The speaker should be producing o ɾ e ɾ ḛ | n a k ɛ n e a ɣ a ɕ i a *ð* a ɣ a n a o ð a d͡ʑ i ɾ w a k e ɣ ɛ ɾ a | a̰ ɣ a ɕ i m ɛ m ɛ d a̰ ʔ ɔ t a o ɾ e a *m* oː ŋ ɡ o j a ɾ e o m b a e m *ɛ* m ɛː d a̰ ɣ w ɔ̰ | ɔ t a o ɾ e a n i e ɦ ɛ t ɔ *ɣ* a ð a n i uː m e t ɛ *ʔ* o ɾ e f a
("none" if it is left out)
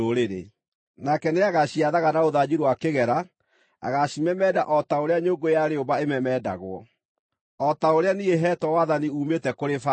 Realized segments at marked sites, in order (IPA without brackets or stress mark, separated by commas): ð, ɲ, ɛ, w, k